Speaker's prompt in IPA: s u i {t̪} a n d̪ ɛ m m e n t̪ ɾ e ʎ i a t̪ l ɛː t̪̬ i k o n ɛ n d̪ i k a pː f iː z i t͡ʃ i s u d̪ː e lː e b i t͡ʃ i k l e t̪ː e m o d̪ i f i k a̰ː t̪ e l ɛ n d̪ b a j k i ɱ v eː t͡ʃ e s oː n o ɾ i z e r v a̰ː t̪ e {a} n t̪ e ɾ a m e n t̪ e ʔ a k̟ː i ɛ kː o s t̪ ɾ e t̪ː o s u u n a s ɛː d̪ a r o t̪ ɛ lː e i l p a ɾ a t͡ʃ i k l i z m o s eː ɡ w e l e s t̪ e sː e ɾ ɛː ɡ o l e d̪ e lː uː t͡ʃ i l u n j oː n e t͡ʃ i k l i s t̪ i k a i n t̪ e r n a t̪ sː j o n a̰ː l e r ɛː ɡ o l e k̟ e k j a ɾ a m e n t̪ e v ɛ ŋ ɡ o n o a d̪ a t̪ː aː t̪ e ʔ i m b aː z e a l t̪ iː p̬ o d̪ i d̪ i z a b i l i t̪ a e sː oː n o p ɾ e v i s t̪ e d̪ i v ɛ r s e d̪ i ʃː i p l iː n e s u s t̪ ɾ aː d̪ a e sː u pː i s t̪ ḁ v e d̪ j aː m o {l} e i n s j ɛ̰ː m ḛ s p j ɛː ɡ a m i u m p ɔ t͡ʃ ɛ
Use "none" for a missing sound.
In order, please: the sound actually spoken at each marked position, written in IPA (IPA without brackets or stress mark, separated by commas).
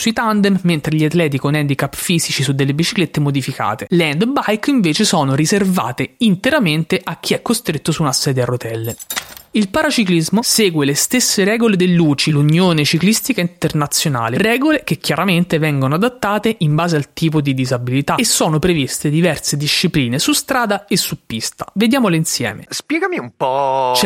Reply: t̪, i, l